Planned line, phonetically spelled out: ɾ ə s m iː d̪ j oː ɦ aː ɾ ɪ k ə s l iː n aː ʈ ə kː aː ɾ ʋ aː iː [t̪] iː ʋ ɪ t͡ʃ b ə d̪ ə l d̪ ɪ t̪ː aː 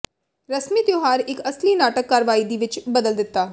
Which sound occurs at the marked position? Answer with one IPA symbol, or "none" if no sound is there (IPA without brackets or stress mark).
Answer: d̪